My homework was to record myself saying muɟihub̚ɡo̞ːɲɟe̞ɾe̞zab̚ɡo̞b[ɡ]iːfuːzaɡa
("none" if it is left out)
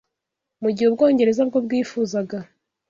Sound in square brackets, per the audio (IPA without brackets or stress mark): ɡ